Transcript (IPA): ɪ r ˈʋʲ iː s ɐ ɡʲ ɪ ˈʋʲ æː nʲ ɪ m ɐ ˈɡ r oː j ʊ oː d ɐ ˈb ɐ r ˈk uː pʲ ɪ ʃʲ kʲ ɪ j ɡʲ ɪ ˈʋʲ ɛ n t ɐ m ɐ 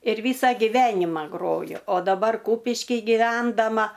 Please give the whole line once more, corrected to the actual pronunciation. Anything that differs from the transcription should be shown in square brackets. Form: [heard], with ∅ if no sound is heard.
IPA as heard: ɪ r ˈʋʲ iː s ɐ ɡʲ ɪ ˈʋʲ æː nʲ ɪ m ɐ ˈɡ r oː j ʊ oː d ɐ ˈb ɐ r ˈk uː pʲ ɪ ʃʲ kʲ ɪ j ɡʲ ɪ ˈʋʲ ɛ n [d] ɐ m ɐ